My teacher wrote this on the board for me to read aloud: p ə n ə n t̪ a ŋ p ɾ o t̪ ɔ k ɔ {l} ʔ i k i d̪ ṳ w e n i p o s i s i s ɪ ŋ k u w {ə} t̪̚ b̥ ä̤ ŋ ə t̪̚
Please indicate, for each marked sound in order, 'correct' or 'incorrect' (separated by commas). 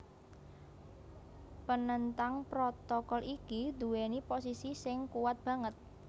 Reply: correct, incorrect